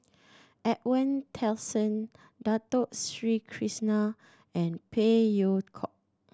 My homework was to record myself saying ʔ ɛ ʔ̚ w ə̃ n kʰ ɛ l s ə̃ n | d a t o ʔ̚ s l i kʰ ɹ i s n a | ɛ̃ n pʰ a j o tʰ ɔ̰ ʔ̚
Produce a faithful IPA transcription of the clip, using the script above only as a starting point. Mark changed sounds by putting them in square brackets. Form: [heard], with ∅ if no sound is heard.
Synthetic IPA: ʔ ɛ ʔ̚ w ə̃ n [tʰ] ɛ l s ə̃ n | d a t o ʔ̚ s [ɹ] i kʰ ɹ i s n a | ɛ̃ n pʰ [e] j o [kʰ] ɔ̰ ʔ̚